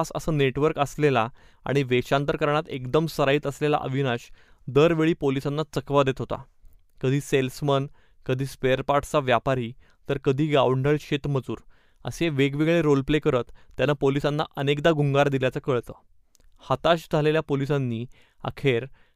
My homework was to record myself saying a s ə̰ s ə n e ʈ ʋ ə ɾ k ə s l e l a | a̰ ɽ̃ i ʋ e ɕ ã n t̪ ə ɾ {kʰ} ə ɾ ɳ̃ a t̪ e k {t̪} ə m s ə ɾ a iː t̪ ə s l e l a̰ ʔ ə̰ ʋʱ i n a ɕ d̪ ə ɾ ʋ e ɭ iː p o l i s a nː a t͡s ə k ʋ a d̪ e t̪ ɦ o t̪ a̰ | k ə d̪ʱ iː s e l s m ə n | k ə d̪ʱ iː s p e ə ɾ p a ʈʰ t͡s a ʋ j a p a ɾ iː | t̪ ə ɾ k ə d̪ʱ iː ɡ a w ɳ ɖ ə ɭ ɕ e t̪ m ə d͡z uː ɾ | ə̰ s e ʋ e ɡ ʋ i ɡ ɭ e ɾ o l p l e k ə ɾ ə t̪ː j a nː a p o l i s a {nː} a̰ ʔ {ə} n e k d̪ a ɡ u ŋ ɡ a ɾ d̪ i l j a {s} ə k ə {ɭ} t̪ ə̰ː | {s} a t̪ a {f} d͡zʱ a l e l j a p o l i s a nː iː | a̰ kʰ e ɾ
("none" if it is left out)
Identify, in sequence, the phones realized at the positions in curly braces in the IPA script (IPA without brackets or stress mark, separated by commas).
k, d̪, nː, ə, t͡s, ɭ, h, ɕ